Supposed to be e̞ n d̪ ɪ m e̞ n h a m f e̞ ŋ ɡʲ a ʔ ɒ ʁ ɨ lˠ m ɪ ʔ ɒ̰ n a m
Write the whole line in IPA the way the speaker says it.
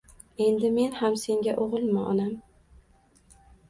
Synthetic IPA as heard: e̞ n d̪ ɪ m e̞ n h a m s e̞ ŋ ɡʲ a ʔ o ʁ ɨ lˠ m ɪ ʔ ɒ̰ n a m